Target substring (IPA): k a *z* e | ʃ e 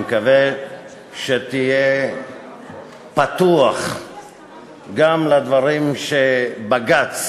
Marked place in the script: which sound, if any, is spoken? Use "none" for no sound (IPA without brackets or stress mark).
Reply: v